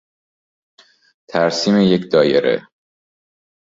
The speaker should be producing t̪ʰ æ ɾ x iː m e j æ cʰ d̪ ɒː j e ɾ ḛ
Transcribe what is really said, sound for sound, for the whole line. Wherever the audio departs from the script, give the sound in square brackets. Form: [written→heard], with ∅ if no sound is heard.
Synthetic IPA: t̪ʰ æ ɾ [x→s] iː m e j [æ→e] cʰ d̪ ɒː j e ɾ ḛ